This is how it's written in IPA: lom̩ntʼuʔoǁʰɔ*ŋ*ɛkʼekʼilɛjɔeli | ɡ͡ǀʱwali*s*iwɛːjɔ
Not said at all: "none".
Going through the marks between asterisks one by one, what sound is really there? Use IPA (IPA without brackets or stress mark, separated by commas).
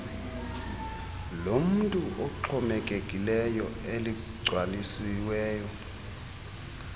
m, s